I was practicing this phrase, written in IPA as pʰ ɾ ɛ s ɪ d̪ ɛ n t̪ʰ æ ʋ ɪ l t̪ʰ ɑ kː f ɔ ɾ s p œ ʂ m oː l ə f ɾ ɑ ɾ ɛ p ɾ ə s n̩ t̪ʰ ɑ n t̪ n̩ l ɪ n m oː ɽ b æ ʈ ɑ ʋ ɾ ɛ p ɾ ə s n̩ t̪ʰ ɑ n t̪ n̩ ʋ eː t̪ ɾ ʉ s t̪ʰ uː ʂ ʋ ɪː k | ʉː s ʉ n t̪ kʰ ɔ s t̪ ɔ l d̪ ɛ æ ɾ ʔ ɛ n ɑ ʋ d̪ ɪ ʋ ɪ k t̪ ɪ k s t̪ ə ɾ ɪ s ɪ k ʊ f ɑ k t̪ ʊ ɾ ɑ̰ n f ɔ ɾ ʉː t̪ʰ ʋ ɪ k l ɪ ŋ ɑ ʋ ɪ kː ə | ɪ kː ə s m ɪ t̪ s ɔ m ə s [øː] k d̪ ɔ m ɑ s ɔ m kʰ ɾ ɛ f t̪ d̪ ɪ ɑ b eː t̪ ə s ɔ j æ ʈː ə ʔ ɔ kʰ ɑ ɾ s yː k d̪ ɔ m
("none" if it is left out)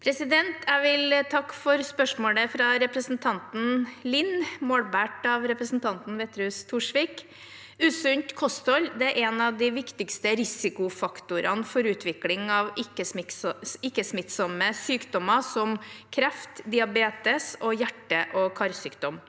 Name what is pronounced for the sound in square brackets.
yː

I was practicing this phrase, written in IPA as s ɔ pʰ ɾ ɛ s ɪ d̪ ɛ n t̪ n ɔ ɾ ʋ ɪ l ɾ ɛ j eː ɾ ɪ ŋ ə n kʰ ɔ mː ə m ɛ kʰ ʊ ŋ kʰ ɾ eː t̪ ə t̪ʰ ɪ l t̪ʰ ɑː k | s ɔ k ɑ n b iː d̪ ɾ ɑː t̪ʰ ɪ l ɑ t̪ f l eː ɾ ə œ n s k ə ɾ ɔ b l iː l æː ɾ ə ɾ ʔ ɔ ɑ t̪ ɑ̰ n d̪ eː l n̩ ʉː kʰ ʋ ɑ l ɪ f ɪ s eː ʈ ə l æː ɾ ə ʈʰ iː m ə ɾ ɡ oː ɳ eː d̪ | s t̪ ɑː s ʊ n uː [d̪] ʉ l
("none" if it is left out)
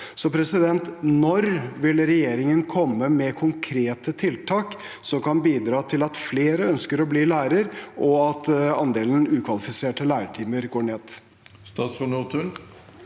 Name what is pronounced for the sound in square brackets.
t̪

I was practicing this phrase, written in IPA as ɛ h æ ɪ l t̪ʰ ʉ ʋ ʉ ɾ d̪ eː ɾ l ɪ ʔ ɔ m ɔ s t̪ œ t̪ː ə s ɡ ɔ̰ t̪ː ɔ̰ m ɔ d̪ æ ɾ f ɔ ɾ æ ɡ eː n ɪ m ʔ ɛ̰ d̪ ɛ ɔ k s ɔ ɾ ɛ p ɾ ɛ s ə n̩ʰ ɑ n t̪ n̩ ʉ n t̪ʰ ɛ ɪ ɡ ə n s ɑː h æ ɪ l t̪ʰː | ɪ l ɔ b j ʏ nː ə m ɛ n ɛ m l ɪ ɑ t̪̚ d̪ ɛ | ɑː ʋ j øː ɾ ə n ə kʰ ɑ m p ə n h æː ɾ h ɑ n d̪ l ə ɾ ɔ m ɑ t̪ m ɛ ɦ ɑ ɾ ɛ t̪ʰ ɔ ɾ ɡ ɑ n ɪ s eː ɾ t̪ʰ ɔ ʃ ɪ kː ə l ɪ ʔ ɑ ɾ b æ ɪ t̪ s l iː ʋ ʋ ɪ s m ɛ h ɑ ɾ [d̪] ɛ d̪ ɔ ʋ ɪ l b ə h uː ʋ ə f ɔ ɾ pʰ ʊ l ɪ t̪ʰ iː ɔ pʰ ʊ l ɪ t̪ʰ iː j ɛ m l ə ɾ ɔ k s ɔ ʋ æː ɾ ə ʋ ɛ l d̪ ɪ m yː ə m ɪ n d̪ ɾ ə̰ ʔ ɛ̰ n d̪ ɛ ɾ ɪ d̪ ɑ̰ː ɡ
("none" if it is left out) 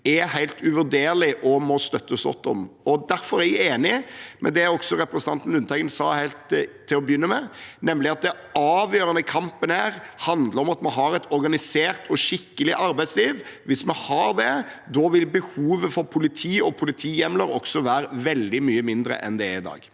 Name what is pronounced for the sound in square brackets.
d̪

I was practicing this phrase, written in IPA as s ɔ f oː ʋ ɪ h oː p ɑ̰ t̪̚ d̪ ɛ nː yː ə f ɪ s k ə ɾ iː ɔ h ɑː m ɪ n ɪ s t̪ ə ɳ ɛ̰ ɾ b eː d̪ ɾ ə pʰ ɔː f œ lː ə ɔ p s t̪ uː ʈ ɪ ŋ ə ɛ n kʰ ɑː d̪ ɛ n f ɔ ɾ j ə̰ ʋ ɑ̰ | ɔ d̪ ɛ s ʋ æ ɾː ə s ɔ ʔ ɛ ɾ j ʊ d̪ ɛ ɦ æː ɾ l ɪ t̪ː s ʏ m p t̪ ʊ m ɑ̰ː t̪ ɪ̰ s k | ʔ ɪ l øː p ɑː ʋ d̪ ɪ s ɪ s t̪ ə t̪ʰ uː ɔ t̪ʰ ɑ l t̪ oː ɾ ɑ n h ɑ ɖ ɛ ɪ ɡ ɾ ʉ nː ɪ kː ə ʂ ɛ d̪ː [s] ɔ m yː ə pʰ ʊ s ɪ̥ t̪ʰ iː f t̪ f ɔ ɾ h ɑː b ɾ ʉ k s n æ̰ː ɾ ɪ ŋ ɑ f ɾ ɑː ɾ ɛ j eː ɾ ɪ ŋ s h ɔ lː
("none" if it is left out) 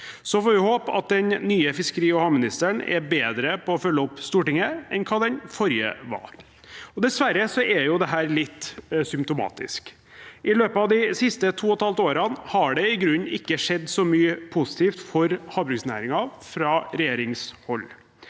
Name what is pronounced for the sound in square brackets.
s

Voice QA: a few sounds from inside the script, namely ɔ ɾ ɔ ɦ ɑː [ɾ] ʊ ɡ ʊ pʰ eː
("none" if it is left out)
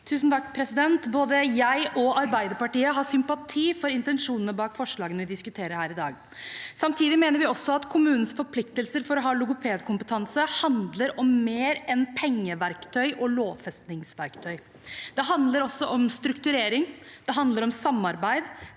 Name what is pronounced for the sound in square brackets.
l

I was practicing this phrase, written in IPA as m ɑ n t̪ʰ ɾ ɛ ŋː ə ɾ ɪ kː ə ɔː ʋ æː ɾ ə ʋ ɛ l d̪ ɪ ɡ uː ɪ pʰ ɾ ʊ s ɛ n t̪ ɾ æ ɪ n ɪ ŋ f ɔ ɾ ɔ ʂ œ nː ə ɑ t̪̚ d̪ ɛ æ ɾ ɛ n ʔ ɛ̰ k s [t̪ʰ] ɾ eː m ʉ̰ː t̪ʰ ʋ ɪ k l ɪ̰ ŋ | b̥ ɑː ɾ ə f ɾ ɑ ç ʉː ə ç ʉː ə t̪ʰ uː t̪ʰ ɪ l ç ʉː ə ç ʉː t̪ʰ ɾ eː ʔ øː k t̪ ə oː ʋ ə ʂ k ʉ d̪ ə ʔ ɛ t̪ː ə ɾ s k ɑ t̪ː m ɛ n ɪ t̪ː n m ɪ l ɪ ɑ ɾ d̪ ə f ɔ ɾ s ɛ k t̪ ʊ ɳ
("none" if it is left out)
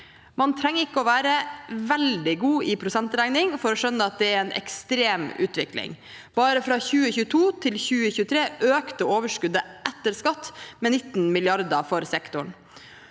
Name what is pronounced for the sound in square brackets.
t̪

